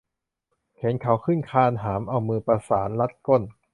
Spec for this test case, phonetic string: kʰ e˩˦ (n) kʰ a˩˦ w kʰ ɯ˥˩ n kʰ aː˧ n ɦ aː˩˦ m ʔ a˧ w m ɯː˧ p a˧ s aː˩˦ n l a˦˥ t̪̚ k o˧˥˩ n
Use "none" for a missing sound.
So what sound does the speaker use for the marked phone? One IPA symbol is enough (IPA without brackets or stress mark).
n